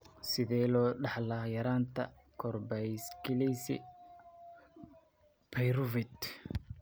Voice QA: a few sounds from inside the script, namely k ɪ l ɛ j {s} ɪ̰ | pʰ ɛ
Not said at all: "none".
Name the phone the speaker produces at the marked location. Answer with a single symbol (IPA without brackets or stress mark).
s